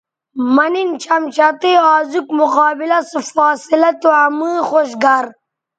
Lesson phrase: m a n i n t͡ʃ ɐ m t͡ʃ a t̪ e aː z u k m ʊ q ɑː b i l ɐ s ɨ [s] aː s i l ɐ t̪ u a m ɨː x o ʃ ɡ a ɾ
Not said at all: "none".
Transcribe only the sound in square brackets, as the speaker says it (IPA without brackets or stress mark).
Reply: f